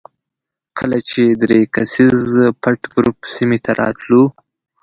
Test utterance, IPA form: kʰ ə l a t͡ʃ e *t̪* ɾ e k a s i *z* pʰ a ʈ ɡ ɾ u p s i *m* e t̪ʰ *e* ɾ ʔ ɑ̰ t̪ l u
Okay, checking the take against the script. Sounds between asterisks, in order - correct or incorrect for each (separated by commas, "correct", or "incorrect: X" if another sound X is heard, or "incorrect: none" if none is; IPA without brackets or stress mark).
incorrect: d̪, correct, correct, incorrect: a